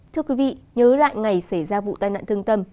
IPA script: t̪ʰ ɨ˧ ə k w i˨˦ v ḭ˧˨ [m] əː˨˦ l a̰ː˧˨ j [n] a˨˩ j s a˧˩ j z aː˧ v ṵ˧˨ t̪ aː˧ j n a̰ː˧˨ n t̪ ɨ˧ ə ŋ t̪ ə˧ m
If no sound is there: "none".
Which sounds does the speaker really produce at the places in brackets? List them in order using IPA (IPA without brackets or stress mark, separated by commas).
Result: ɲ, ŋ